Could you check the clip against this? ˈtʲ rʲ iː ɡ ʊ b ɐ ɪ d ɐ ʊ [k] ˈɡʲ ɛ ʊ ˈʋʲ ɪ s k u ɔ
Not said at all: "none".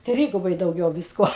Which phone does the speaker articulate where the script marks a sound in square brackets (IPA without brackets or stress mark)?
none